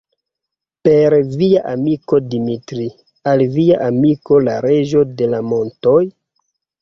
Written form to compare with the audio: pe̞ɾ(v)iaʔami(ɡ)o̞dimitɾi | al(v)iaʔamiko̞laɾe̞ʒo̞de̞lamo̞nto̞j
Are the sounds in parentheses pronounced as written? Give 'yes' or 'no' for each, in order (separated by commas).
yes, no, yes